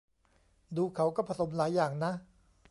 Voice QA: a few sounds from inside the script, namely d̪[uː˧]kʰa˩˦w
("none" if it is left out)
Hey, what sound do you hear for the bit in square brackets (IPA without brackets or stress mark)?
uː˧